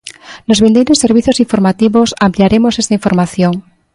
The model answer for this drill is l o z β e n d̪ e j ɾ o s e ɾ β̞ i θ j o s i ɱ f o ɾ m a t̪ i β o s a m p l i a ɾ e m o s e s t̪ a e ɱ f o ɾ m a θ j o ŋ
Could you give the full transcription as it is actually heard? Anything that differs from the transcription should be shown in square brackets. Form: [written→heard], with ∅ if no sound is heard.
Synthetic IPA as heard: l o z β e n d̪ e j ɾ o s e ɾ β̞ i θ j o s i ɱ f o ɾ m a t̪ i β o s a m p l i a ɾ e m o s e s t̪ a [e→i] ɱ f o ɾ m a θ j o ŋ